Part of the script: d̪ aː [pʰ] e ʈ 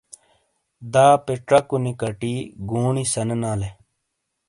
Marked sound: incorrect: p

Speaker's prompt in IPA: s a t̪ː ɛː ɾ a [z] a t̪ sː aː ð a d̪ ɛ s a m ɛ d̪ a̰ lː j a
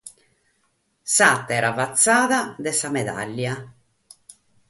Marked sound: incorrect: v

